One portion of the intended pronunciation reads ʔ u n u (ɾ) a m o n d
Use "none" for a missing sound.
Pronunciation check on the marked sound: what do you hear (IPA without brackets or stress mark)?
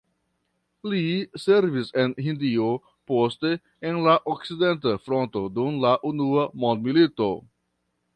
none